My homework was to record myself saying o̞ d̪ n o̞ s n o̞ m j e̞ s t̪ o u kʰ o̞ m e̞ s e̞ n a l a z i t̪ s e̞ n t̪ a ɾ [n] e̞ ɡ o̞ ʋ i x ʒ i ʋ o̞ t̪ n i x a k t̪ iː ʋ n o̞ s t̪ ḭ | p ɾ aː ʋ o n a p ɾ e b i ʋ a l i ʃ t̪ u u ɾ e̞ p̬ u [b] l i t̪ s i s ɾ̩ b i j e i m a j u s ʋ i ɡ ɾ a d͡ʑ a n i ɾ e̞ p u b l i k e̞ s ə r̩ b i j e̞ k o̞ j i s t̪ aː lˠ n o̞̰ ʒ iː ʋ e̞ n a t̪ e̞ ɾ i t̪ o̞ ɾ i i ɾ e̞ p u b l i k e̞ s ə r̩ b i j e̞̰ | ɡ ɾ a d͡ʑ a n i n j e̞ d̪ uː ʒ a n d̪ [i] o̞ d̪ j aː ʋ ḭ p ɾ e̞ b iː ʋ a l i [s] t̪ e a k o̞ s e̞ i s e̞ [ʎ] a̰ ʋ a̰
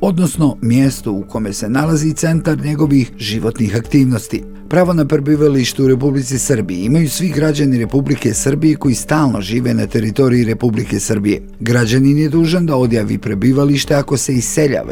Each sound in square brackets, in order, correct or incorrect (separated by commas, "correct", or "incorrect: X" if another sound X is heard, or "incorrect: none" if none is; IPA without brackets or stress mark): incorrect: ɲ, correct, incorrect: a, incorrect: ʃ, correct